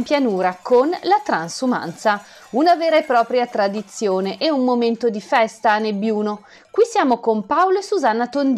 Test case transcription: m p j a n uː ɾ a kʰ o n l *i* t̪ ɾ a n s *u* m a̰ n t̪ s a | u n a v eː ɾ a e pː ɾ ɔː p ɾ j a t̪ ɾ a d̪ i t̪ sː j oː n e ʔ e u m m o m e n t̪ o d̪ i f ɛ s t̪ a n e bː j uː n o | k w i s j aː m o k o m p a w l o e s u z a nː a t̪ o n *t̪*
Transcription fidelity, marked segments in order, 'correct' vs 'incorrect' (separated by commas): incorrect, correct, incorrect